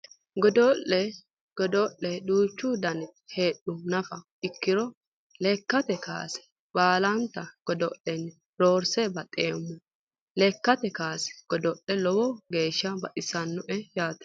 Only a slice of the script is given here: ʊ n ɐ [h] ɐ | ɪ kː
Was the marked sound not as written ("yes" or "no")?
yes